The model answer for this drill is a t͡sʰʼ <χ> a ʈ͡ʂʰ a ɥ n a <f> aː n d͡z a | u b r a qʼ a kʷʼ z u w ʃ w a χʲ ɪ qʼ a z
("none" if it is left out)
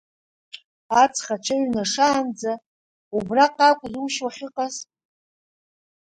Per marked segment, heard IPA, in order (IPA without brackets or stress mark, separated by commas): χ, ʂ